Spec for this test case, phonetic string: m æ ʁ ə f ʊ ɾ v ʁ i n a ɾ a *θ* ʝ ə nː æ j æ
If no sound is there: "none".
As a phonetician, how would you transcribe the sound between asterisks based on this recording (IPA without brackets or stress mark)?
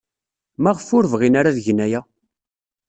ð